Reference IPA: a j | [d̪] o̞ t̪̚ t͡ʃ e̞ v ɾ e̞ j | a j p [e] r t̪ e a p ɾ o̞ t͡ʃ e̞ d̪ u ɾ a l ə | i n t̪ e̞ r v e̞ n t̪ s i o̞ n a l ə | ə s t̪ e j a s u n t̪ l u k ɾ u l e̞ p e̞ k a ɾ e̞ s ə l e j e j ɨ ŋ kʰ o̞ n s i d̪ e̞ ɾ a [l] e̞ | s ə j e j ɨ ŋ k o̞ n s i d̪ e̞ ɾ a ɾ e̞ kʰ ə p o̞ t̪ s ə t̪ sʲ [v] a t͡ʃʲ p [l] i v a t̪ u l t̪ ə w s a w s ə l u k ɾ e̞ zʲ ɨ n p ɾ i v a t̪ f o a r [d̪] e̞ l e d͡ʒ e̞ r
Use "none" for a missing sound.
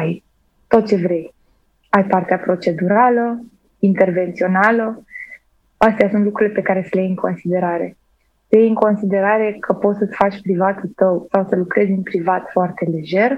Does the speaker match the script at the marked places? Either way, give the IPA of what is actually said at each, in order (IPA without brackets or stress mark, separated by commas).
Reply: t̪, a, ɾ, f, ɾ, t̪